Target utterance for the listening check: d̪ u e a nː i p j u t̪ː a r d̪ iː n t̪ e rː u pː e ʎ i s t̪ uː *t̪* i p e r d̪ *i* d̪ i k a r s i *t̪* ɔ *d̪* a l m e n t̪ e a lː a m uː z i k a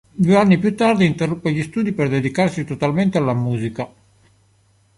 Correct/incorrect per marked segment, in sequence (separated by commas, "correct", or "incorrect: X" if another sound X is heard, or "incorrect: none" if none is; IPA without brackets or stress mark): incorrect: d̪, incorrect: e, correct, incorrect: t̪